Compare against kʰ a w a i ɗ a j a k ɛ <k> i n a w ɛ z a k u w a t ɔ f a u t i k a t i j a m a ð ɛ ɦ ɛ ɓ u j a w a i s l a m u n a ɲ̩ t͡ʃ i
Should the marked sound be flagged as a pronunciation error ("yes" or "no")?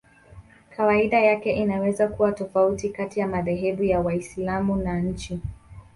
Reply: yes